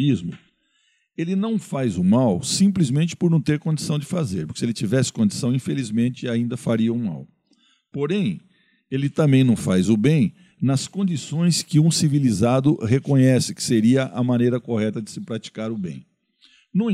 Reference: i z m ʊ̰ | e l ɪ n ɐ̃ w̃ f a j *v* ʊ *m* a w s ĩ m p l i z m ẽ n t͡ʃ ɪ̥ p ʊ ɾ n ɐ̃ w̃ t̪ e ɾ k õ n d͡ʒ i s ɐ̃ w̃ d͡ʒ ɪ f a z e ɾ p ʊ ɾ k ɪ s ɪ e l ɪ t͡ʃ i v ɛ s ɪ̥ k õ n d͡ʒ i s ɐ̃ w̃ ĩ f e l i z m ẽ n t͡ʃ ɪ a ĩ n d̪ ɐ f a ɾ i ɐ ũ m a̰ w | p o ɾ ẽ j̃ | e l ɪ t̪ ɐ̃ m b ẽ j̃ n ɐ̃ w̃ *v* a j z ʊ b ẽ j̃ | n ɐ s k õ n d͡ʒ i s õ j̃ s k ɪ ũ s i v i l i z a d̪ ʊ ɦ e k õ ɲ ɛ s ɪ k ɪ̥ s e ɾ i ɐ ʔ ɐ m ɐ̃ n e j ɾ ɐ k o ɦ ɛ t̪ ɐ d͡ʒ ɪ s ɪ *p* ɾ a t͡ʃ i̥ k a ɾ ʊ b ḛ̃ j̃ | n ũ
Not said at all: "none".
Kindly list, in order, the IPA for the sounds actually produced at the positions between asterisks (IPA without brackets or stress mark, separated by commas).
z, m, f, p